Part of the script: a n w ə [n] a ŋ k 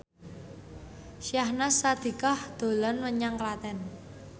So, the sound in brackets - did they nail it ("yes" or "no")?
no